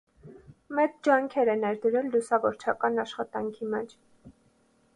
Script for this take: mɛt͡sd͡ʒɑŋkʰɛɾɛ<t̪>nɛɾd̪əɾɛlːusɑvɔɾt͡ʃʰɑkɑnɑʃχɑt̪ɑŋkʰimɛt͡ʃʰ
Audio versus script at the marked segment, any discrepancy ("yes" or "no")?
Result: yes